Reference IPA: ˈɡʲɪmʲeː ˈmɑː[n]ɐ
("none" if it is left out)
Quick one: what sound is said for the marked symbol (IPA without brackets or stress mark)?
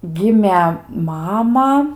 m